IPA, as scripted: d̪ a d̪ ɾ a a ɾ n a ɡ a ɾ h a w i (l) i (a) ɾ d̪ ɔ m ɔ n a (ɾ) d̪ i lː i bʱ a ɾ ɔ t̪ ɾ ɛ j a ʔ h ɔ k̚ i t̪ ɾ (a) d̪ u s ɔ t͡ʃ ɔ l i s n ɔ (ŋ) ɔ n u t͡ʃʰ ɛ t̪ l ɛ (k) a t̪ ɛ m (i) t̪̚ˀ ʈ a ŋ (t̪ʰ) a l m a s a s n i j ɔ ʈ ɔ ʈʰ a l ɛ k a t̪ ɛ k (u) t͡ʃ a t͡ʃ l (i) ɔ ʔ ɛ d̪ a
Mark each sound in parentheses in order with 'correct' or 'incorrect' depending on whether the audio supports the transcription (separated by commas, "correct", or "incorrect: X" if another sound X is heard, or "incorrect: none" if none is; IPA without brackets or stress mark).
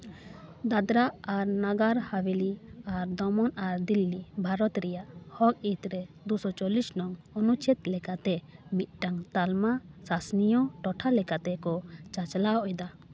correct, correct, correct, incorrect: ɛ, correct, correct, correct, incorrect: t̪, incorrect: ɔ, incorrect: a